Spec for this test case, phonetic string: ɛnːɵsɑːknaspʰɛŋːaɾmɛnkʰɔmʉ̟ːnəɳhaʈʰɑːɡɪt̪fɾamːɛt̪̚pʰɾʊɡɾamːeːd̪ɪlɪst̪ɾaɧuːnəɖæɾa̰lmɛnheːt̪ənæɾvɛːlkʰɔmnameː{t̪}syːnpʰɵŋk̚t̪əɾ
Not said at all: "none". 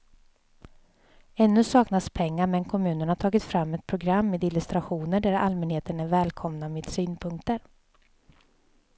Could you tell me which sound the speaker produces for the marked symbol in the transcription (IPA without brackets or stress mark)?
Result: d̪